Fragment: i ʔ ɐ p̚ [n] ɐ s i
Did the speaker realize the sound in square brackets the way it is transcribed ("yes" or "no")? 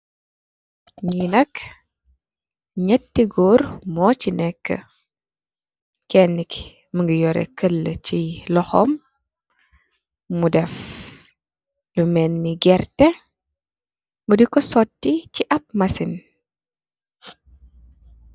no